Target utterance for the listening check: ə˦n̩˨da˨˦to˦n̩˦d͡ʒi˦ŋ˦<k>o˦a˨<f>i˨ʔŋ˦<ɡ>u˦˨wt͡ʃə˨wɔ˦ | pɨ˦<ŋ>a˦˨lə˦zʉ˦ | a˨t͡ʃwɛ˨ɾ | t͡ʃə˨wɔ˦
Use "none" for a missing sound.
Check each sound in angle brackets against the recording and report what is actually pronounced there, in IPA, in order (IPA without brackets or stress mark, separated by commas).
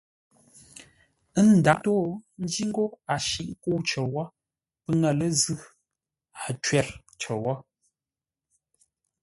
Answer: ɡ, ʃ, k, ŋ